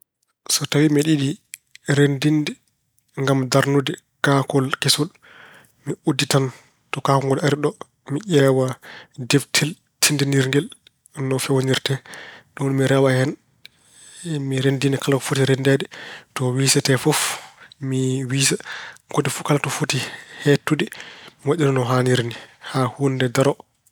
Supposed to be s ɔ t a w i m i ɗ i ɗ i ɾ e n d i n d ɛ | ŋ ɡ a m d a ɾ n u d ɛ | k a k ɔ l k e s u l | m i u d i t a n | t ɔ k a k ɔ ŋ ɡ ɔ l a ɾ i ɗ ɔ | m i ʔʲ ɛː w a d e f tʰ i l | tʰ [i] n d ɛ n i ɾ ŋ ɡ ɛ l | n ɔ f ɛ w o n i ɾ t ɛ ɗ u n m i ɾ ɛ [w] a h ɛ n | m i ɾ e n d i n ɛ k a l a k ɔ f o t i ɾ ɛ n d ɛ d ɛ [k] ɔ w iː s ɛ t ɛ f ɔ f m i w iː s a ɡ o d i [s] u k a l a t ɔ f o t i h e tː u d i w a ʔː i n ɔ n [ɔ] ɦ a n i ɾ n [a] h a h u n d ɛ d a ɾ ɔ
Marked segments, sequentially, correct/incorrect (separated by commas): correct, correct, incorrect, incorrect, correct, incorrect